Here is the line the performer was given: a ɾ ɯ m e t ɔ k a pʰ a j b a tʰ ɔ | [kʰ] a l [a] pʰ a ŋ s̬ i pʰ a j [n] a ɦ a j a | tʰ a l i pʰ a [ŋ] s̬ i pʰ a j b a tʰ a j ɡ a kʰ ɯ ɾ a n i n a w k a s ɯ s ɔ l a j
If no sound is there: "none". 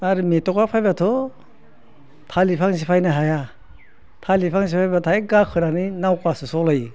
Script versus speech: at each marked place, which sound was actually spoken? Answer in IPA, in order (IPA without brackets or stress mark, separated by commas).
tʰ, i, n, ŋ